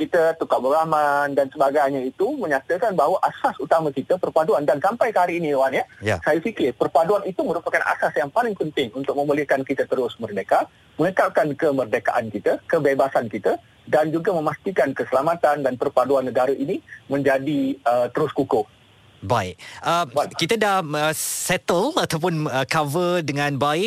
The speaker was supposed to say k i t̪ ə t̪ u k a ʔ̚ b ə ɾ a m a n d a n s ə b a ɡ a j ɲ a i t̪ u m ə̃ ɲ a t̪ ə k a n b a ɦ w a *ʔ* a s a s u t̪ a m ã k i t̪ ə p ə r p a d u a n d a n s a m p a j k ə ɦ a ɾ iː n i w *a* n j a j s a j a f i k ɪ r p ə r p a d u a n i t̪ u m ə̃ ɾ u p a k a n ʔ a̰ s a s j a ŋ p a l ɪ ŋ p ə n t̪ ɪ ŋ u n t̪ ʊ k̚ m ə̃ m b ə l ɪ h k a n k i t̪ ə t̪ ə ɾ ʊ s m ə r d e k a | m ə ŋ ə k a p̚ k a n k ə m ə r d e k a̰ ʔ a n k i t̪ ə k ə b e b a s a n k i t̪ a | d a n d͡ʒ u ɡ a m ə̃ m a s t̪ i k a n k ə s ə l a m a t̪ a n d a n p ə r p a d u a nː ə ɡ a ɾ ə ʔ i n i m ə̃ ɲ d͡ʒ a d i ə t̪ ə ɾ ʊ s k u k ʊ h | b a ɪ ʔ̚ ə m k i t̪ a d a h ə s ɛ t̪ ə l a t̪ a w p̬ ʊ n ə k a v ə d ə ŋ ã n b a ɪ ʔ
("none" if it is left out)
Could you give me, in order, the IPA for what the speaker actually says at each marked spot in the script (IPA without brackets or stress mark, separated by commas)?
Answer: ʔ, a